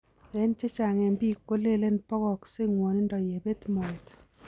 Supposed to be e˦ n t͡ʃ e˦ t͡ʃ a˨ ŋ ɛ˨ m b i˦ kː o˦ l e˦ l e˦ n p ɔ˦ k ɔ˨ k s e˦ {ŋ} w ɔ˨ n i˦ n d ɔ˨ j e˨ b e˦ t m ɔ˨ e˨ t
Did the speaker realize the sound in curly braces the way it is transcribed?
yes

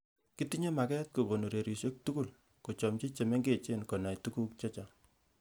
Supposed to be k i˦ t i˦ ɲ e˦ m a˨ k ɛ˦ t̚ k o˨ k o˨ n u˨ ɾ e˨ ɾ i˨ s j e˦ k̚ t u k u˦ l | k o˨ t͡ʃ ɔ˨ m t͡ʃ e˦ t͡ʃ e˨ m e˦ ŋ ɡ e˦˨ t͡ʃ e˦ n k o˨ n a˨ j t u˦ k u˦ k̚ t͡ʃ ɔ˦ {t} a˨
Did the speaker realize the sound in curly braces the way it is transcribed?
no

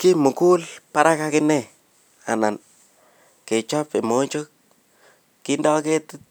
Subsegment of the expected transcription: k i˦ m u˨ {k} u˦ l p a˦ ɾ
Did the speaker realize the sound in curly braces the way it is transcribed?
yes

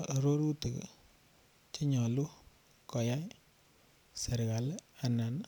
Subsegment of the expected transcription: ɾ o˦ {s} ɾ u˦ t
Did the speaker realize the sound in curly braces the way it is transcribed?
no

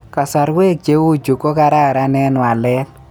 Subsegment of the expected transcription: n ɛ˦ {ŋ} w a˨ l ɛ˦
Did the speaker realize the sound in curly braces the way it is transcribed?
no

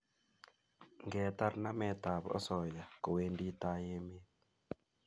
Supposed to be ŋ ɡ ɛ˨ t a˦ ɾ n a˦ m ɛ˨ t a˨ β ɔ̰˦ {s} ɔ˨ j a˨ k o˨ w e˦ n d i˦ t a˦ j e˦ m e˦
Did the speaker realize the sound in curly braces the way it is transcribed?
yes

